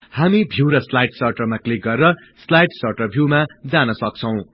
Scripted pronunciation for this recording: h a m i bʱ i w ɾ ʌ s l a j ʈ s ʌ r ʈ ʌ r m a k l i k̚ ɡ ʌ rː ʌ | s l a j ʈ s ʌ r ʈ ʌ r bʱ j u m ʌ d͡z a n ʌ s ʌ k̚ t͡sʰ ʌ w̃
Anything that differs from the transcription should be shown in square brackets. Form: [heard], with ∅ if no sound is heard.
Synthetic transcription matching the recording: h a m i bʱ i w ɾ ʌ s l a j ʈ s ʌ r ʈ ʌ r m a k l i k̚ ɡ ʌ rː ʌ | s l a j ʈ s ʌ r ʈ ʌ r bʱ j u m [a] d͡z a n ʌ s ʌ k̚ t͡sʰ ʌ w̃